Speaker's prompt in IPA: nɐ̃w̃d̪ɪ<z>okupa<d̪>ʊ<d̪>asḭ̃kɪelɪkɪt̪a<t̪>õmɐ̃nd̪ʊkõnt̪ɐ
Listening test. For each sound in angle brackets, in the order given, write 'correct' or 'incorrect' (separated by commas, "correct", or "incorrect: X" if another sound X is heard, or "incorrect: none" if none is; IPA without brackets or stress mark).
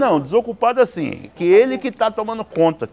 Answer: correct, correct, incorrect: none, correct